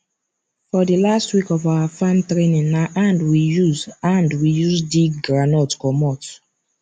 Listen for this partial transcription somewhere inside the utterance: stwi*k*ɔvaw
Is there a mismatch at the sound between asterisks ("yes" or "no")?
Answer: no